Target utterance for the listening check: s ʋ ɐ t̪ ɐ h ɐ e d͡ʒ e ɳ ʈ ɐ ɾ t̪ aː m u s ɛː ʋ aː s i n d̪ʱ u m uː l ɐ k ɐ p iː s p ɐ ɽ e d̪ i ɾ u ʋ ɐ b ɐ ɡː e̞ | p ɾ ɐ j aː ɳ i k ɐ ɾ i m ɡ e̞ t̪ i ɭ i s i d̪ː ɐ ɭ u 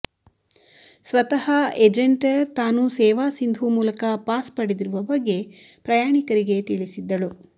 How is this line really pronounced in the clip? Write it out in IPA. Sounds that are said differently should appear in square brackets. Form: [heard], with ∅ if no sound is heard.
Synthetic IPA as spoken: s ʋ ɐ t̪ ɐ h ɐ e d͡ʒ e ɳ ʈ ɐ ɾ t̪ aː [n] u s ɛː ʋ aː s i n d̪ʱ u m uː l ɐ k ɐ p [aː] s p ɐ ɽ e d̪ i ɾ u ʋ ɐ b ɐ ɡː e̞ | p ɾ ɐ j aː ɳ i k ɐ ɾ i [∅] ɡ e̞ t̪ i ɭ i s i d̪ː ɐ ɭ u